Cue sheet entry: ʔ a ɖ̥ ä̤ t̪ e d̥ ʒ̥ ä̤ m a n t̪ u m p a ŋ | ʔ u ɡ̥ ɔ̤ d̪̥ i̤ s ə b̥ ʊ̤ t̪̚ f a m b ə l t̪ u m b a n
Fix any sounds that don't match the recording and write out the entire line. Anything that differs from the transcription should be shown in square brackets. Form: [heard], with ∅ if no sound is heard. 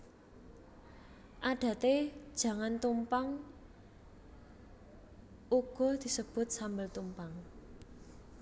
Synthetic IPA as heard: ʔ a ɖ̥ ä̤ t̪ e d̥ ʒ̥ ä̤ [ŋ] a n t̪ u m p a ŋ | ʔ u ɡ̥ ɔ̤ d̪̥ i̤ s ə b̥ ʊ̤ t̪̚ [s] a m b ə l t̪ u m [p] a [ŋ]